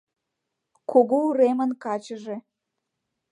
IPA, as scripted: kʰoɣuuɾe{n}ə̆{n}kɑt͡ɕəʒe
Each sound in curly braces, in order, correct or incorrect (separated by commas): incorrect, correct